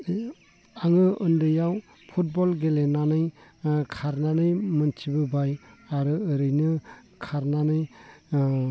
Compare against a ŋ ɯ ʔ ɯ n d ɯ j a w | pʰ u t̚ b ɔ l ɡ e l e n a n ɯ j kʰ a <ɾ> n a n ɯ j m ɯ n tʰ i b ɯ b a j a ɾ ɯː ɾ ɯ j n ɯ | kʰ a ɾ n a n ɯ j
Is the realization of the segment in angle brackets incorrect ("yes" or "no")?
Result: no